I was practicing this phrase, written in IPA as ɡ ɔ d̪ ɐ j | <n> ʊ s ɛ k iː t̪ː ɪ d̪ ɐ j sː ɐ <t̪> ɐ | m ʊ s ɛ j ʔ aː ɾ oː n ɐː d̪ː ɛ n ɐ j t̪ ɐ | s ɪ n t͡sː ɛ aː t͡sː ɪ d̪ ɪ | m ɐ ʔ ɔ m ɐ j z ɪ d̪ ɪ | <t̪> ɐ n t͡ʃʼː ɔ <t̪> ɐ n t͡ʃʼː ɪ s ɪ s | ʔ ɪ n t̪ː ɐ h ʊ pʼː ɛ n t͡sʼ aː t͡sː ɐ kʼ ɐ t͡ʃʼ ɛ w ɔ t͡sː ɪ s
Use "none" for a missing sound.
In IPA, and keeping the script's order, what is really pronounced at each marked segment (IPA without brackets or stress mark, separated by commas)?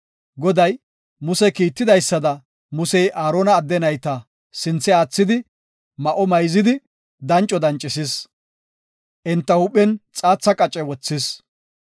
m, d̪, d̪, d̪